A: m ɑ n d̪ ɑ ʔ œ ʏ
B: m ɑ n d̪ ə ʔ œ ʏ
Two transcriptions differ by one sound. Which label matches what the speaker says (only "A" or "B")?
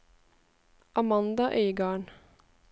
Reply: A